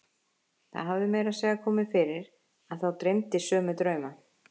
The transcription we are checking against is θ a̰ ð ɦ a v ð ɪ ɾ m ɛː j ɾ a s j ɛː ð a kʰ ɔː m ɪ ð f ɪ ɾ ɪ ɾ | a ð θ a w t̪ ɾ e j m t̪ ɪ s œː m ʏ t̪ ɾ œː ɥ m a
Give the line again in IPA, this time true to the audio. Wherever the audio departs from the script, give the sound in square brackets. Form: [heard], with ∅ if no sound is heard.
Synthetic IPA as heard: θ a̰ ð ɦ a v ð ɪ [∅] m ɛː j ɾ a s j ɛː [ɣ] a kʰ ɔː m ɪ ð f ɪ ɾ ɪ ɾ | a ð θ a w t̪ ɾ e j m t̪ ɪ s œː m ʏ t̪ ɾ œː ɥ m a